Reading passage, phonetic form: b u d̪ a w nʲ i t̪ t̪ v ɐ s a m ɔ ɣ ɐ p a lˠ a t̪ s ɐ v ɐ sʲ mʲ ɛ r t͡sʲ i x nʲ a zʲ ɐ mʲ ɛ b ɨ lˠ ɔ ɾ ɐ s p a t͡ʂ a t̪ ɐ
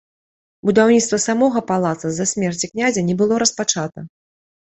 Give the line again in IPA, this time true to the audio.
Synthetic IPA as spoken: b u d̪ a w nʲ i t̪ t̪ v ɐ s a m ɔ ɣ ɐ p a lˠ a t̪ s ɐ z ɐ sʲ mʲ ɛ r t͡sʲ i k nʲ a zʲ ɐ nʲ ɛ b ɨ lˠ ɔ ɾ ɐ s p a t͡ʂ a t̪ ɐ